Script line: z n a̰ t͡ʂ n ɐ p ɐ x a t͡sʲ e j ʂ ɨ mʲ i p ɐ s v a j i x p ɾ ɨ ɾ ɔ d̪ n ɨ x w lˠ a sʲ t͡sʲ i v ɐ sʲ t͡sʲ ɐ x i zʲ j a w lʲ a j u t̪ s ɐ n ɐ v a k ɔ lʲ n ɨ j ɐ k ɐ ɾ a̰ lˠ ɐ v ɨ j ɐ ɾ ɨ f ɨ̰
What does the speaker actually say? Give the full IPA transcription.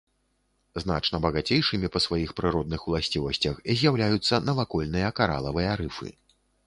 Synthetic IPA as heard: z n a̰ t͡ʂ n ɐ b ɐ ɣ a t͡sʲ e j ʂ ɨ mʲ i p ɐ s v a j i x p ɾ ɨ ɾ ɔ d̪ n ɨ x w lˠ a sʲ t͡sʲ i v ɐ sʲ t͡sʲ ɐ x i zʲ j a w lʲ a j u t̪ sː ɐ n ɐ v a k ɔ lʲ n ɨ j ɐ k a ɾ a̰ lˠ ɐ v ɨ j ɐ ɾ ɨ f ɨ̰